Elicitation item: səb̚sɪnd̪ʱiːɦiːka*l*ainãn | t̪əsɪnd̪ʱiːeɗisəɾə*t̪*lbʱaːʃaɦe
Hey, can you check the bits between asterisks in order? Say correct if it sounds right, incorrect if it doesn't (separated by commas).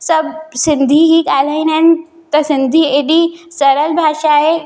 correct, incorrect